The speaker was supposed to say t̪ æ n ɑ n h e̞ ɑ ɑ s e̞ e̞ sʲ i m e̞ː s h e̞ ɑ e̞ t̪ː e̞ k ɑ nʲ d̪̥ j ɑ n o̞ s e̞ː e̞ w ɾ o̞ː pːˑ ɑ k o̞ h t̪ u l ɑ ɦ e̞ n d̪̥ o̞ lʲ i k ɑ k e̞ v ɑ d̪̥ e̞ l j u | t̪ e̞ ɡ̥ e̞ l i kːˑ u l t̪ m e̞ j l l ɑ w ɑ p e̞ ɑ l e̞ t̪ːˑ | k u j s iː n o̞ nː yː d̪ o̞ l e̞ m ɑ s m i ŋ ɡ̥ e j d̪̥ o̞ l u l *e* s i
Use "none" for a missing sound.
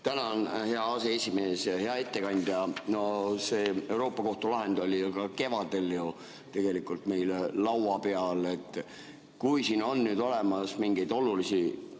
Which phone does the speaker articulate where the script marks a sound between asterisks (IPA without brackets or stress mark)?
i